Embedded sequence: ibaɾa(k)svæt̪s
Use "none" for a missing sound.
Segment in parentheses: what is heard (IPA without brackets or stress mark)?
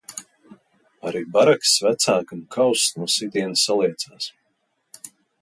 k